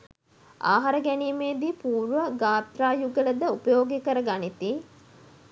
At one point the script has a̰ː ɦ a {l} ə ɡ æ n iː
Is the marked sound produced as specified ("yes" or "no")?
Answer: no